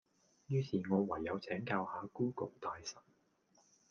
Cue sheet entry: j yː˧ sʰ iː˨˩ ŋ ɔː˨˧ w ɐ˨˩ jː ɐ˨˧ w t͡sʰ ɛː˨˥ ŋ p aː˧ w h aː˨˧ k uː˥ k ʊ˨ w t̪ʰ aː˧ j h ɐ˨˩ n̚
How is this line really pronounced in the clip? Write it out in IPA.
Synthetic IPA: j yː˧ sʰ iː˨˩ ŋ ɔː˨˧ w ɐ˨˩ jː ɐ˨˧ w t͡sʰ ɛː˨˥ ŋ k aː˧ w h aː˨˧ k uː˥ k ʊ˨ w t̪ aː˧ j s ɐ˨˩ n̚

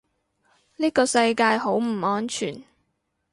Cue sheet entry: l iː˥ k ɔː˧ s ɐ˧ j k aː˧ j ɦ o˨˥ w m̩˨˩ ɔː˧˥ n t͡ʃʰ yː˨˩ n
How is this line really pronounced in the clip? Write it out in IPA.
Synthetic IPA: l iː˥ k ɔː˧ s ɐ˧ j k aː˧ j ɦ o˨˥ w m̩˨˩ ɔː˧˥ n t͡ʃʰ yː˨˩ n

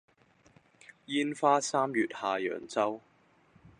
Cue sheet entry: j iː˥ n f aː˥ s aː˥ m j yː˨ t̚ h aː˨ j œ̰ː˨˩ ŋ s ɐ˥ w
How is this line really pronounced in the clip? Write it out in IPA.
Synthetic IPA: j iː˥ n f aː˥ s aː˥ m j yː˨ t̚ h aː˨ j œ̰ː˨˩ ŋ t͡s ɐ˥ w

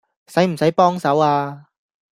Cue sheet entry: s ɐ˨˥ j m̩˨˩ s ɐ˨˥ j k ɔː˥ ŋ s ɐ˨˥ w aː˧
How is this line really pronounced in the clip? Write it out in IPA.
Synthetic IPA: s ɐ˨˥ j m̩˨˩ s ɐ˨˥ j p ɔː˥ ŋ s ɐ˨˥ w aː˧

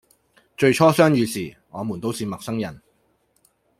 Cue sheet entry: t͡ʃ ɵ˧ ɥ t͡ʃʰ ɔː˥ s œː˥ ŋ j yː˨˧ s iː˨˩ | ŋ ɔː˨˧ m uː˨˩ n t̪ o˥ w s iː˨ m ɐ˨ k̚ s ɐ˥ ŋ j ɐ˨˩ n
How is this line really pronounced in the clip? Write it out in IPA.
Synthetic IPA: t͡ʃ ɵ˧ ɥ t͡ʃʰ ɔː˥ s œː˥ ŋ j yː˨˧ s iː˨˩ | ŋ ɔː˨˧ m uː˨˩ n t̪ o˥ w s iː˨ m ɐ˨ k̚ s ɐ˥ ŋ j ɐ˨˩ n

